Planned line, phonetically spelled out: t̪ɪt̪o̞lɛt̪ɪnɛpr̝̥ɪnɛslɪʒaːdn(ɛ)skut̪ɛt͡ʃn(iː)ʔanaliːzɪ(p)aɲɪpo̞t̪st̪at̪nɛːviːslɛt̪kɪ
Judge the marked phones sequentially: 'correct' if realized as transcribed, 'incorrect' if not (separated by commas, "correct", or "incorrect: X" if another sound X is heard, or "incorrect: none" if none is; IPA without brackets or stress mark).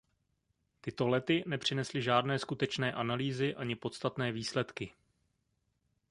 incorrect: ɛː, incorrect: ɛː, incorrect: ʔ